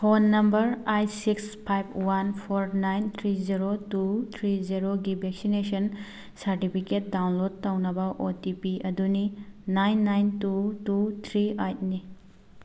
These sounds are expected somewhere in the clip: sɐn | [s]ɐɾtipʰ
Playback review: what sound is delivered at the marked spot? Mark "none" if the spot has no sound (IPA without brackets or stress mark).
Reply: s